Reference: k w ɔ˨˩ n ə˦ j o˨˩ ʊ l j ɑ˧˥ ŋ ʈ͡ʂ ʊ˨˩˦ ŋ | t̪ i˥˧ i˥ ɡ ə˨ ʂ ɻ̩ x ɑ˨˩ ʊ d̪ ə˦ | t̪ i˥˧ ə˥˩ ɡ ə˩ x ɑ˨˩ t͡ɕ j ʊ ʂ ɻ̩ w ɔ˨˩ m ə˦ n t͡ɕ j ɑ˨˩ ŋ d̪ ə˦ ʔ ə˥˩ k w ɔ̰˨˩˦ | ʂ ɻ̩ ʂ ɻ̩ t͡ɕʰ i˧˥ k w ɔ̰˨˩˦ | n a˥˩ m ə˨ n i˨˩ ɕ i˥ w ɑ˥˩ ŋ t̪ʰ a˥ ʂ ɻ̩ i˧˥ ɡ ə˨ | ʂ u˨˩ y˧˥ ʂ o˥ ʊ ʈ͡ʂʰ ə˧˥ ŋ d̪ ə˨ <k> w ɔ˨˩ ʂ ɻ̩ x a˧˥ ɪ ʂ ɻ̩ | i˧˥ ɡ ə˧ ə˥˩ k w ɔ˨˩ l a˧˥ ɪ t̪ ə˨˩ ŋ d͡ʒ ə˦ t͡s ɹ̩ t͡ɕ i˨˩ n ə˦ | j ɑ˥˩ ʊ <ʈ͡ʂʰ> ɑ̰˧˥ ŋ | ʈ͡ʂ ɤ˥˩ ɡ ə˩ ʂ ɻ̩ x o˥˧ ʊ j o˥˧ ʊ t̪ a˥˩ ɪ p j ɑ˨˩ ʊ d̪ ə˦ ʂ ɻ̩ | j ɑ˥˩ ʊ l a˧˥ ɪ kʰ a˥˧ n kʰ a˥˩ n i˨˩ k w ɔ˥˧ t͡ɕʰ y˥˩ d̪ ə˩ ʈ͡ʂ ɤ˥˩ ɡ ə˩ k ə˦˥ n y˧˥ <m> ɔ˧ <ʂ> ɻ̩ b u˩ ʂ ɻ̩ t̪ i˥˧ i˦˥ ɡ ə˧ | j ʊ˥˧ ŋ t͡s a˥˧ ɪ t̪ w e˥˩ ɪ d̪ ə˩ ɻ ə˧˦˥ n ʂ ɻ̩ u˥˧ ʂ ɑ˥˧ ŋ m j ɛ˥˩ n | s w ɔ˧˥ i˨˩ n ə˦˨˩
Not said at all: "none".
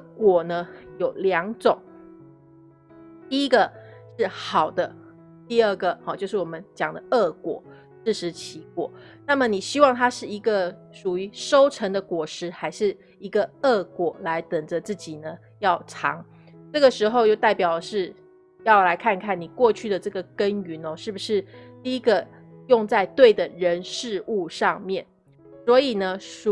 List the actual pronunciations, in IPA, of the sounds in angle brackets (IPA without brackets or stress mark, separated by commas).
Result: k, ʈ͡ʂʰ, n, ʂ